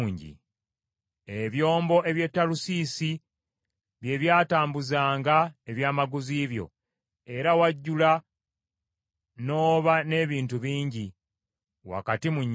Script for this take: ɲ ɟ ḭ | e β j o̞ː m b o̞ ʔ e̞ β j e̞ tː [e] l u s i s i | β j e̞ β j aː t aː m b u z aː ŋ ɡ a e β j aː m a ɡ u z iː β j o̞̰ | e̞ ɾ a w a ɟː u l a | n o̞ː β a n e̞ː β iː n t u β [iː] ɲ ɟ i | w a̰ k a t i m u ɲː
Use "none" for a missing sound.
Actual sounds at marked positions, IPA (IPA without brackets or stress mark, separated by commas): a, iː